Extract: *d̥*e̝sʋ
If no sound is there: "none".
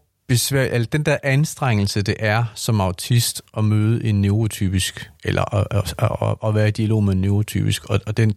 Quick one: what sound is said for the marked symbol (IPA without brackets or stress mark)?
b̥